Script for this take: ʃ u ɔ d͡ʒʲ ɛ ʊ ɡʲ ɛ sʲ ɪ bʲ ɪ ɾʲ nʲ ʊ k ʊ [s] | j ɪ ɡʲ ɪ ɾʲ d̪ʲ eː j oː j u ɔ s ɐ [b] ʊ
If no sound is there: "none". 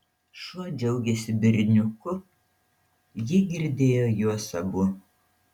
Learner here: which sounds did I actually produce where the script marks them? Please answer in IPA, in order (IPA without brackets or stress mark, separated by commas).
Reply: none, b